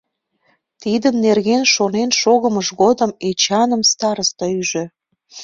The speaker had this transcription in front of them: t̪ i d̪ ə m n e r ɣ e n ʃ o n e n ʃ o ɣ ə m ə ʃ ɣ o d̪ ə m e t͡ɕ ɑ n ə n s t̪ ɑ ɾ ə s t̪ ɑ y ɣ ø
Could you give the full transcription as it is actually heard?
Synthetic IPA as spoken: t̪ i d̪ ə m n e r ɣ e n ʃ o n e n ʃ o ɣ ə m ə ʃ ɣ o d̪ ə m e t͡ɕ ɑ n ə m s t̪ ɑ ɾ ə s t̪ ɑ y ʒ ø